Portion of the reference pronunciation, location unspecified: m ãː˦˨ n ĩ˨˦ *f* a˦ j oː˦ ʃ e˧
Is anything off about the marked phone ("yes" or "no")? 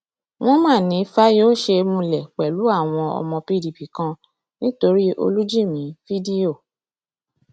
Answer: no